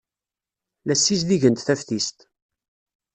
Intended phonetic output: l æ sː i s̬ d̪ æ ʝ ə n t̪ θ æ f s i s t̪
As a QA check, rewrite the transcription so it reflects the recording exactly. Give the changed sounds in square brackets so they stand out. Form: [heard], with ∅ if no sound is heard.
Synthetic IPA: l æ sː i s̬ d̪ [i] ʝ ə n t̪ θ æ f [θ] i s t̪